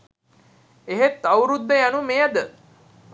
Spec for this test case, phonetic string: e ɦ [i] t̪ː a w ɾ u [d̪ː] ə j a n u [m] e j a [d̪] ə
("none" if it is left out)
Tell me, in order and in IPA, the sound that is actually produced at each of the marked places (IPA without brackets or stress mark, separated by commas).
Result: e, d̪ː, m, d̪